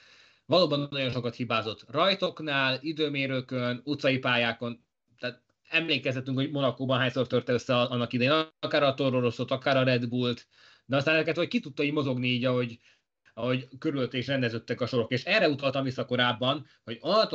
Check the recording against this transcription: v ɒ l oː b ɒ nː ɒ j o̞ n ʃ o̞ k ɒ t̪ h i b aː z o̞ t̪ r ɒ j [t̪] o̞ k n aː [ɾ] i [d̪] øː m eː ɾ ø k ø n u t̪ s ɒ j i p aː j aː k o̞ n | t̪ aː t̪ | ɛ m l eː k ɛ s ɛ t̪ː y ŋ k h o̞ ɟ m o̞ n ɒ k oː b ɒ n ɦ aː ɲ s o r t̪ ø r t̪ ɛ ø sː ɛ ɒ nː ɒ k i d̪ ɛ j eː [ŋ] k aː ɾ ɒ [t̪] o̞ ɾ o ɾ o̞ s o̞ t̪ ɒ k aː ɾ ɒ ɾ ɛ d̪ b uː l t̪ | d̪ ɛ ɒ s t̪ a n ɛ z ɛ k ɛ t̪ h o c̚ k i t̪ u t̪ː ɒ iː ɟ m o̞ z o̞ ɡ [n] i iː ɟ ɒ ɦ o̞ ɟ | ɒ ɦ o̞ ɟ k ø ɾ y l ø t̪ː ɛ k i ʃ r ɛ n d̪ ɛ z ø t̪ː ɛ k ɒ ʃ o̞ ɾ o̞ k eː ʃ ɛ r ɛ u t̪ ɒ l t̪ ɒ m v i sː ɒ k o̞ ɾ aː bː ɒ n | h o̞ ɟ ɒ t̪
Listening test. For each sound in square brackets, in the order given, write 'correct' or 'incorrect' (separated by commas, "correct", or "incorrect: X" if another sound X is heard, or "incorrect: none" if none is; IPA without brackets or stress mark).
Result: correct, incorrect: l, correct, incorrect: n, correct, correct